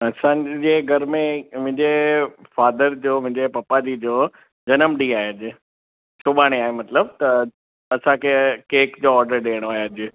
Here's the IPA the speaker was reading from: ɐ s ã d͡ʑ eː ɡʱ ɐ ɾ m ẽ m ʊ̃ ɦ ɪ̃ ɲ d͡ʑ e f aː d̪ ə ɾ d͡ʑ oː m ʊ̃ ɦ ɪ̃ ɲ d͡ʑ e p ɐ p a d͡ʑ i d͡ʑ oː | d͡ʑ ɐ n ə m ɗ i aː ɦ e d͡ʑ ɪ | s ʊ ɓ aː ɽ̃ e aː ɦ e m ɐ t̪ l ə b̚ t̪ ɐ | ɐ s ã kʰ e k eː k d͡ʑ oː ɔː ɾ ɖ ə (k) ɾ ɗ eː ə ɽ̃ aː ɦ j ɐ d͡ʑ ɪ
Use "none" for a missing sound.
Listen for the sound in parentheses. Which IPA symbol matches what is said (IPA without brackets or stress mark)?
none